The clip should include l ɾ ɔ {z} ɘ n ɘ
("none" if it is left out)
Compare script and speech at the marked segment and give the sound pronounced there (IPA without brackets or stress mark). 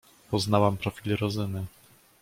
z